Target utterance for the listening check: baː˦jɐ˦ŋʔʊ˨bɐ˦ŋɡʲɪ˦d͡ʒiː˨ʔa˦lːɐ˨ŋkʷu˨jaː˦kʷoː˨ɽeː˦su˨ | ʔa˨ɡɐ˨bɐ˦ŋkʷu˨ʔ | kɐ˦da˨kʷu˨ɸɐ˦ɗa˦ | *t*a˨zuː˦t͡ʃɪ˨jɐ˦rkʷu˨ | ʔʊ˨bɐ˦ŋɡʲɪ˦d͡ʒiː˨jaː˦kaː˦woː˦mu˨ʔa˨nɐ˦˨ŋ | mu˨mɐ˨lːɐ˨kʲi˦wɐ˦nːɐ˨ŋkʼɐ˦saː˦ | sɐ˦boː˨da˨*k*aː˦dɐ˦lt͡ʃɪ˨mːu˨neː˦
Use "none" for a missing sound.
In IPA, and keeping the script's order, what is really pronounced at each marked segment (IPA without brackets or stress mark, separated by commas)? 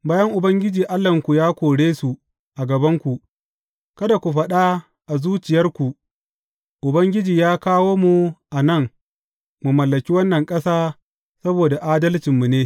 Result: ʔ, ʔ